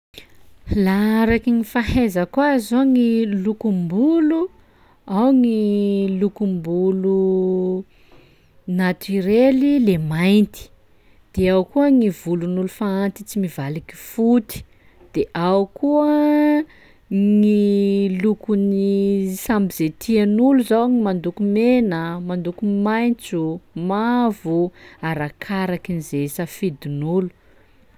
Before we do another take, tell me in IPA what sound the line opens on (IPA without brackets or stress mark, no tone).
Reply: l